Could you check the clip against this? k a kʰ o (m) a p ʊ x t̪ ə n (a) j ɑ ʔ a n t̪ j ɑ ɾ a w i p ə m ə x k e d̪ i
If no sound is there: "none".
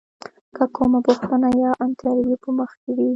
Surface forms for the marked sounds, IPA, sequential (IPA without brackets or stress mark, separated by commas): m, a